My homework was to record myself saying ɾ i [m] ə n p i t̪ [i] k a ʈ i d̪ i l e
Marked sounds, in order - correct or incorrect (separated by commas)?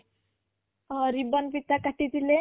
incorrect, incorrect